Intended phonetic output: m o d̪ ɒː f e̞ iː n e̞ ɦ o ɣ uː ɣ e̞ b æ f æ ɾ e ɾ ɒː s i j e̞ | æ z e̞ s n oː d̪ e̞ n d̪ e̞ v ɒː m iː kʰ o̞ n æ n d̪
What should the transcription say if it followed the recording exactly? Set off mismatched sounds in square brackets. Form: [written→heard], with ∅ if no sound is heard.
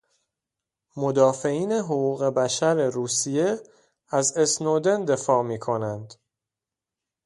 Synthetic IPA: m o d̪ ɒː f e̞ iː n e̞ ɦ o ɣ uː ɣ e̞ b æ [f→ʃ] æ ɾ e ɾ [ɒː→uː] s i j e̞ | æ z e̞ s n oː d̪ e̞ n d̪ e̞ [v→f] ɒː m iː kʰ o̞ n æ n d̪